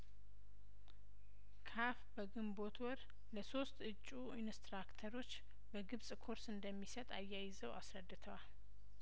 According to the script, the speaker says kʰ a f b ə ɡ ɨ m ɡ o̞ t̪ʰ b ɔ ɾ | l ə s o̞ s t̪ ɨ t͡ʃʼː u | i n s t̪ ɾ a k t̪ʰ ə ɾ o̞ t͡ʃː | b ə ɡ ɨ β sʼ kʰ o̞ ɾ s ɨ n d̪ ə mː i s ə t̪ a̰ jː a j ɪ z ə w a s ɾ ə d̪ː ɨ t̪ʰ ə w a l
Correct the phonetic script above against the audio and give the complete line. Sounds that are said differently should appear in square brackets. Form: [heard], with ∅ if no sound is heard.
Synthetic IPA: kʰ a f b ə ɡ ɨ m [b] o̞ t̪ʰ [w] ɔ ɾ | l ə s o̞ s t̪ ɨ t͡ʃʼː u | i n s t̪ ɾ a k t̪ʰ ə ɾ o̞ t͡ʃː | b ə ɡ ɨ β sʼ kʰ o̞ ɾ s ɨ n d̪ ə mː i s ə [t̪ʼ] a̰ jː a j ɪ z ə w a s ɾ ə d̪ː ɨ t̪ʰ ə w a l